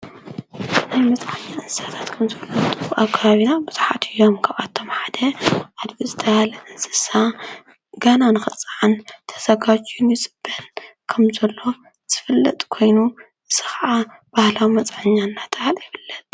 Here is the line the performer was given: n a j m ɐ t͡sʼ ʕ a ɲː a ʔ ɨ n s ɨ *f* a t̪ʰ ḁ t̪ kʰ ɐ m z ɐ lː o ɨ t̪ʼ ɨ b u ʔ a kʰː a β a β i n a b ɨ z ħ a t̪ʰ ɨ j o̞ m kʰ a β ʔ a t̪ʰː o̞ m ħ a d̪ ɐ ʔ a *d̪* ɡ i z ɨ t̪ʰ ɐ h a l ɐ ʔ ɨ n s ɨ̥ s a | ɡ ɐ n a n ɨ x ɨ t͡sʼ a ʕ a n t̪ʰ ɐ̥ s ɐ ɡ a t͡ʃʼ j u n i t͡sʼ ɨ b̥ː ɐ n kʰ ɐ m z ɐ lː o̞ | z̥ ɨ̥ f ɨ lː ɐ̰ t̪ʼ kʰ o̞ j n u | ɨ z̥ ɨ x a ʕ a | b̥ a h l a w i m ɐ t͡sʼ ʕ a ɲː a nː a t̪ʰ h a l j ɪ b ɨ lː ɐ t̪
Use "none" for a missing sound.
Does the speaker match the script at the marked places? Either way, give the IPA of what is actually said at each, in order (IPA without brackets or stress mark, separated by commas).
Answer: s, d̪